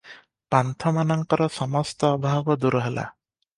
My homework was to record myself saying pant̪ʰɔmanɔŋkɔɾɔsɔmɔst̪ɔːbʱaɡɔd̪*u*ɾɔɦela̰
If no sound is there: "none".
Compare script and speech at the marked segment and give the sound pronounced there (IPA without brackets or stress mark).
u